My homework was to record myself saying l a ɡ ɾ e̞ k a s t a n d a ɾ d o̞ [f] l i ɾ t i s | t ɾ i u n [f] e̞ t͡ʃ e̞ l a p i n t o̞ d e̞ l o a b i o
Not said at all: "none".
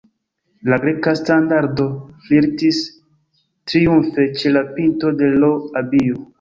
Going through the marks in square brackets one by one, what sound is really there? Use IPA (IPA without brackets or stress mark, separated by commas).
f, f